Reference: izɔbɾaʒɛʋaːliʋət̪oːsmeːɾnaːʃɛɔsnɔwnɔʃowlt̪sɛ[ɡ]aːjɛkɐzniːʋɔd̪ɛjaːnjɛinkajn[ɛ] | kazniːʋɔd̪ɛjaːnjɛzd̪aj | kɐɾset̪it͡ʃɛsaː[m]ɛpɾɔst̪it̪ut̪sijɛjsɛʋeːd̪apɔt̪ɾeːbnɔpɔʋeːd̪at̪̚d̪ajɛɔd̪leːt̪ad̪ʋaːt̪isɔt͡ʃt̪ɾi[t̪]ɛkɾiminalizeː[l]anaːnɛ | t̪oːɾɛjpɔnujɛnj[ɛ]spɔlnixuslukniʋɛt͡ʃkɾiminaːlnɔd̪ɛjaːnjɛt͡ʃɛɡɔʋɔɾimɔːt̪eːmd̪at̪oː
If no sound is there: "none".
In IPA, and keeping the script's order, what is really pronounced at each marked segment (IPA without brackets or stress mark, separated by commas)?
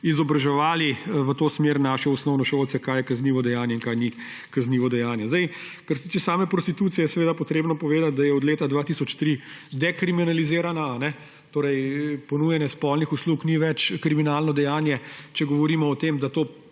k, i, m, d̪, ɾ, ɛ